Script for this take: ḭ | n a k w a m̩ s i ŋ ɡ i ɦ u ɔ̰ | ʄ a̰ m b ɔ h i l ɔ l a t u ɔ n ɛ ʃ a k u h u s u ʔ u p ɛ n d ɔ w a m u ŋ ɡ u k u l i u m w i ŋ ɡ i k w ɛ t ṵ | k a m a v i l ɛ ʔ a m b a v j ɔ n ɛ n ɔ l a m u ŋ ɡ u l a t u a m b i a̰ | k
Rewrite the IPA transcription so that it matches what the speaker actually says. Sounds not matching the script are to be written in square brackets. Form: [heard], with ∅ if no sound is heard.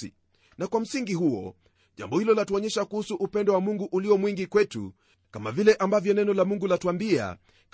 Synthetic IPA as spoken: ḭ | n a k w a m̩ s i ŋ ɡ i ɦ u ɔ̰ | ʄ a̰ m b ɔ h i l ɔ l a t u ɔ [ɲ] ɛ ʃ a k u h u s u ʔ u p ɛ n d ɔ w a m u ŋ ɡ u [ʔ] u l i [ɔ] m w i ŋ ɡ i k w ɛ t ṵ | k a m a v i l ɛ ʔ a m b a v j ɔ n ɛ n ɔ l a m u ŋ ɡ u l a t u a m b i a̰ | k